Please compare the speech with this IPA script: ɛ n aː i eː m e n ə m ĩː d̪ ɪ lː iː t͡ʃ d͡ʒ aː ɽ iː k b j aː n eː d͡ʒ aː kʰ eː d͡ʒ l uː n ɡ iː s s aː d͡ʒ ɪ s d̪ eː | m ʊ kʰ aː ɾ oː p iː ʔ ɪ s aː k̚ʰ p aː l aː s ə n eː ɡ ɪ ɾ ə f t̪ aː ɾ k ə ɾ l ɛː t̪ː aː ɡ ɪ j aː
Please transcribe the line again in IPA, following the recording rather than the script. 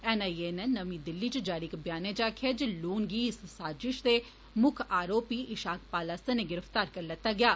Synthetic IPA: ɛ n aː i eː n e n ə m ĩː d̪ ɪ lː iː t͡ʃ d͡ʒ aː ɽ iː k b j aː n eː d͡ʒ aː kʰ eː d͡ʒ l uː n ɡ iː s s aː d͡ʒ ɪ ʃ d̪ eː | m ʊ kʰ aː ɾ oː p iː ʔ ɪ ʃ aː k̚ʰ p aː l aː s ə n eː ɡ ɪ ɾ ə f t̪ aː ɾ k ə ɾ l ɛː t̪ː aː ɡ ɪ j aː